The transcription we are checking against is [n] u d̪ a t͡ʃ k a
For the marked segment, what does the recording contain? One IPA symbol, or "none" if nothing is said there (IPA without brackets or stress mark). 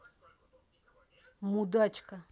m